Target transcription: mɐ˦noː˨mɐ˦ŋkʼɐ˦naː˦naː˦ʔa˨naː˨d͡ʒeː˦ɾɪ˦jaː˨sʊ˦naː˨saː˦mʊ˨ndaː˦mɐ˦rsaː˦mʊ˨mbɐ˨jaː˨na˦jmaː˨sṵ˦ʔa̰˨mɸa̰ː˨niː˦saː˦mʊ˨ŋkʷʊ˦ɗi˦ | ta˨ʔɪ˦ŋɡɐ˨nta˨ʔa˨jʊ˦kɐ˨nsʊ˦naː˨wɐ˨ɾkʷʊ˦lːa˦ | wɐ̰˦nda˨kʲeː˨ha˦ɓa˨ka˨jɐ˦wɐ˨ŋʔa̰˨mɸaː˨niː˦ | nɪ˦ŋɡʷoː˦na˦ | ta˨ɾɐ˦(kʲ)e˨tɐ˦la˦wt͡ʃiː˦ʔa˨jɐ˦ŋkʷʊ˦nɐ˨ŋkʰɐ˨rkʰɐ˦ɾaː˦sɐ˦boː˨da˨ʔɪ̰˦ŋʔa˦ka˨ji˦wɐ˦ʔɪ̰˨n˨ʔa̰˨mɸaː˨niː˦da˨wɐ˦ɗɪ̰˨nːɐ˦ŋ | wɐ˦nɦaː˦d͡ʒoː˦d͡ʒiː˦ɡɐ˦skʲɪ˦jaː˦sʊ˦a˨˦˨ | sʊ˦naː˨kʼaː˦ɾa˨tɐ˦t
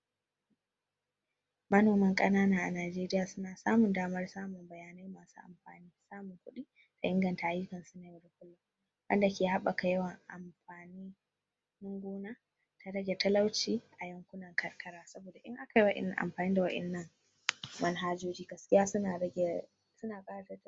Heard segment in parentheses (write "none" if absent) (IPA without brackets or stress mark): ɡʲ